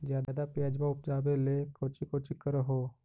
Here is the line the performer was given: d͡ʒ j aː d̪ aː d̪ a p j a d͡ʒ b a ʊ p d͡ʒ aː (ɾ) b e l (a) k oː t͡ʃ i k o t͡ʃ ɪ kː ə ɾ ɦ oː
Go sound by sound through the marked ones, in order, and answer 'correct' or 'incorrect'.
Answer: incorrect: none, incorrect: e

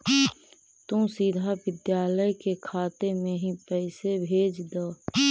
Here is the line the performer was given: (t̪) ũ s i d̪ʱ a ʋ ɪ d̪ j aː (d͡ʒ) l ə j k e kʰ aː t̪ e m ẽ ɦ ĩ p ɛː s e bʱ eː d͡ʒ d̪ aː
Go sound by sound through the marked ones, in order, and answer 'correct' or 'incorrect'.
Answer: correct, incorrect: none

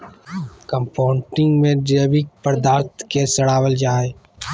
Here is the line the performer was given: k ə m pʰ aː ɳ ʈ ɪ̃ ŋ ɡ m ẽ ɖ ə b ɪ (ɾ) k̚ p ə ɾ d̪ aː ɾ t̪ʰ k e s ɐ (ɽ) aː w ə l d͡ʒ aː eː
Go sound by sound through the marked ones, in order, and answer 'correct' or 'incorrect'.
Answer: incorrect: none, correct

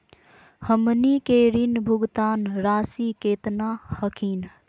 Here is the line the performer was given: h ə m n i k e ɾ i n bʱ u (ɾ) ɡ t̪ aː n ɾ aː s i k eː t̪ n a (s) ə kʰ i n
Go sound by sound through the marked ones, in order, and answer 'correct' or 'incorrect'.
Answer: incorrect: none, incorrect: h

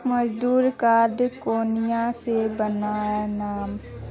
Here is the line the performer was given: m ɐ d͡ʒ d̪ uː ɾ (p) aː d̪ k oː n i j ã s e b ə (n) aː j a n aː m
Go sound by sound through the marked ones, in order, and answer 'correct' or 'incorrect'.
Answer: incorrect: k, correct

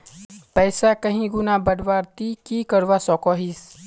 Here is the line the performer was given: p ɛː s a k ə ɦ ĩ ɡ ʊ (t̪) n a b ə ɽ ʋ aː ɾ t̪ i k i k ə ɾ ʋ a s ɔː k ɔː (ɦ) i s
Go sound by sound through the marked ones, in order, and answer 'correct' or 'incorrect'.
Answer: incorrect: none, correct

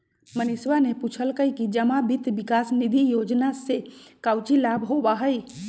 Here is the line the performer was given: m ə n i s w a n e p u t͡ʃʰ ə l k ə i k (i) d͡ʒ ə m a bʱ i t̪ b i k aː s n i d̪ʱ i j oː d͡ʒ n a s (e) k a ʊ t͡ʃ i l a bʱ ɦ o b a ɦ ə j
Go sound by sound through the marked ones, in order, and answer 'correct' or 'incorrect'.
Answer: correct, correct

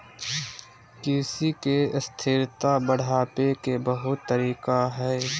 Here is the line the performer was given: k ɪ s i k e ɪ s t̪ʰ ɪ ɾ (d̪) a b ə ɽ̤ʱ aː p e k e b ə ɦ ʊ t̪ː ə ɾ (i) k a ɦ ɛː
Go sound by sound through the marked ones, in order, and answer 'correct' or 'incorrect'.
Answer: incorrect: t̪, incorrect: iː

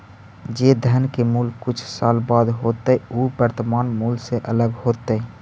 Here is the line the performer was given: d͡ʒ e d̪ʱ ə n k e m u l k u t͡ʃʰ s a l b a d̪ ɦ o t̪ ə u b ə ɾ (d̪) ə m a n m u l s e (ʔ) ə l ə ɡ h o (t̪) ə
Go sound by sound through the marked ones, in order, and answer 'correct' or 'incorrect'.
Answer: incorrect: t̪, correct, correct

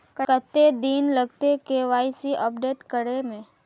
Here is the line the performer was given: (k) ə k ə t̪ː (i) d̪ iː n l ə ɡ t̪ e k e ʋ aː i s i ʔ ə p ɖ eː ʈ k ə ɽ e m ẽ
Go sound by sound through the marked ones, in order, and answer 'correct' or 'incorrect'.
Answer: correct, incorrect: e

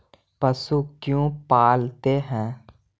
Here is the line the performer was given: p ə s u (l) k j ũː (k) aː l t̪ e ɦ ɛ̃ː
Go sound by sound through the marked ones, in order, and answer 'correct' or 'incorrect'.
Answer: incorrect: none, incorrect: p

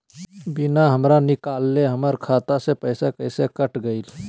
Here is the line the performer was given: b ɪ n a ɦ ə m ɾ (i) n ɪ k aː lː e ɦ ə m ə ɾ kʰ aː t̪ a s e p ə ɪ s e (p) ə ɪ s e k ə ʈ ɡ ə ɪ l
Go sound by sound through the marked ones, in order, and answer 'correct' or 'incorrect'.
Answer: incorrect: a, incorrect: k

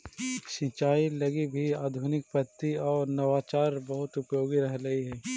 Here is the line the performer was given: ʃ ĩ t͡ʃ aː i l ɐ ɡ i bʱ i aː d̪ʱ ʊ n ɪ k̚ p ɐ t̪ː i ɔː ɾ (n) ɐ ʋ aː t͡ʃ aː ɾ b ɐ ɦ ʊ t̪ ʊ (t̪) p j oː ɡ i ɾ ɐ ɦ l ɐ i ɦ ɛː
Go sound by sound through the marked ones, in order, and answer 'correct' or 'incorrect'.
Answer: correct, incorrect: none

